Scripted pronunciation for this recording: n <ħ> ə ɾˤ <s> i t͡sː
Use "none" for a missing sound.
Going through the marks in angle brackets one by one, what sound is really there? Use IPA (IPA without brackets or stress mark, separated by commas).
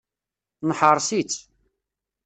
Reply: ħ, s